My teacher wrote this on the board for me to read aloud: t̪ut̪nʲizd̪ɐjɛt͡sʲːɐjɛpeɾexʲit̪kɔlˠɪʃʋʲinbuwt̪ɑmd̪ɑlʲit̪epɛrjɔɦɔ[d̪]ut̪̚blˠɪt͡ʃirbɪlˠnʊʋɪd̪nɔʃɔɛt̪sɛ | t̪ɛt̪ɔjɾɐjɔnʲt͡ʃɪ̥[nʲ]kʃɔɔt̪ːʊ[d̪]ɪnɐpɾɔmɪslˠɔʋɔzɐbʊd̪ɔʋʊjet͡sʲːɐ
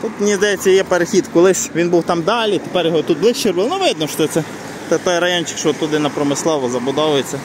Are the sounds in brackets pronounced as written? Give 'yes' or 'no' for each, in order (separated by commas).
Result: no, no, yes